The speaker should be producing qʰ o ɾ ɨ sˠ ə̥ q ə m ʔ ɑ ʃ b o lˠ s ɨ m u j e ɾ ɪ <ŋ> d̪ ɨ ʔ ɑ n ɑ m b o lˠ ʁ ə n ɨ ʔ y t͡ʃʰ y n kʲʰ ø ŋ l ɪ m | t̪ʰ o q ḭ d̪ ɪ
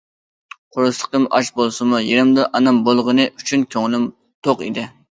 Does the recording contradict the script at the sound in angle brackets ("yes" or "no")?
yes